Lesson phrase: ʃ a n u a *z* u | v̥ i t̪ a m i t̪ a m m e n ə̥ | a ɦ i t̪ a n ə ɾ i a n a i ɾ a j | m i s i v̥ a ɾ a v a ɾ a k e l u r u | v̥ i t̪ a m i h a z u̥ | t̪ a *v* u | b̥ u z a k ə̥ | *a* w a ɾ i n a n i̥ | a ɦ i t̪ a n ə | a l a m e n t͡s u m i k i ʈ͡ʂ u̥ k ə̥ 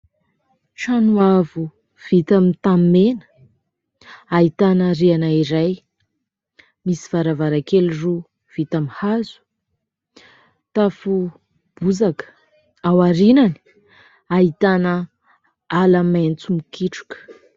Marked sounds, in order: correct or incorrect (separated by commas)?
incorrect, incorrect, correct